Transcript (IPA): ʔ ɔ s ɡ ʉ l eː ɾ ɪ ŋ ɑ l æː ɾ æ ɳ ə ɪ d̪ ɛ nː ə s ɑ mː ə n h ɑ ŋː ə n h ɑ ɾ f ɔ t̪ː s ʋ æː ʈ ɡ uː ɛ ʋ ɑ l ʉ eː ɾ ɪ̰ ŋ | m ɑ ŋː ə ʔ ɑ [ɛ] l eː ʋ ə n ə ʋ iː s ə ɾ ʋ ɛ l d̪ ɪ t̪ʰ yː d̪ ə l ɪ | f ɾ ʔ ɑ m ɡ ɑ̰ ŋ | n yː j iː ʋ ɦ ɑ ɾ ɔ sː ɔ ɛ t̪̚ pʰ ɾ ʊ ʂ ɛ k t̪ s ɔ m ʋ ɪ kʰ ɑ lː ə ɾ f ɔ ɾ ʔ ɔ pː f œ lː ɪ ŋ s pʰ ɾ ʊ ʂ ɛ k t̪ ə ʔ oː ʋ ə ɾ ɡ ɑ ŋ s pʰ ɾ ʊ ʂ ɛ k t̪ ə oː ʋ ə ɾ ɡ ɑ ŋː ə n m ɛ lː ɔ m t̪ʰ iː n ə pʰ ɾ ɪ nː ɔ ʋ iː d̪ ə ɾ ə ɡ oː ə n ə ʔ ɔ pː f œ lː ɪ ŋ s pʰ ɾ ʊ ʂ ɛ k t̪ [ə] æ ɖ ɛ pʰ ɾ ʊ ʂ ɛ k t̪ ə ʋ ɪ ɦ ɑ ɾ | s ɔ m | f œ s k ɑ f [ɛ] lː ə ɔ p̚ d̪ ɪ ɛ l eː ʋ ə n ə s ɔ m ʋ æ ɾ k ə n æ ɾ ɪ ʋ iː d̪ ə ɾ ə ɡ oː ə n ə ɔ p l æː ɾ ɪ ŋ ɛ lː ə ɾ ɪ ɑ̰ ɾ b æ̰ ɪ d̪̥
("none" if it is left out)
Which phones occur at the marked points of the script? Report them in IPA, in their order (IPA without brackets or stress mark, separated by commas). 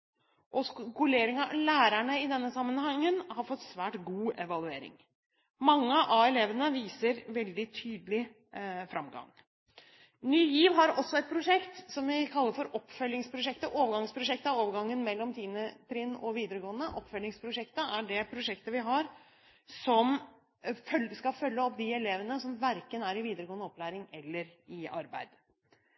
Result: ɛ, ə, œ